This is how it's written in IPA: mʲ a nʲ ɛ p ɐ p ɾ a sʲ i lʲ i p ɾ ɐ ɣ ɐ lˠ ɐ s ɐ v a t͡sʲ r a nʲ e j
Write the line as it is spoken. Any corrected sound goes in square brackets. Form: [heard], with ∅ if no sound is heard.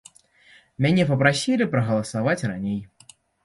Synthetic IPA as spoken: mʲ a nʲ ɛ p ɐ p ɾ a sʲ i lʲ i p ɾ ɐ ɣ ɐ lˠ ɐ s [a] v a t͡sʲ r a nʲ e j